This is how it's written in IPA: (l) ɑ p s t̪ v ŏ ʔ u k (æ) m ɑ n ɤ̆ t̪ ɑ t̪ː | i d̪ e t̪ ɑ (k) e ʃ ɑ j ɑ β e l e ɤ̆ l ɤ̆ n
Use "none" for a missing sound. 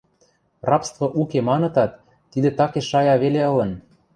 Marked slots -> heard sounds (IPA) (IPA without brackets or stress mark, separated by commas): r, e, k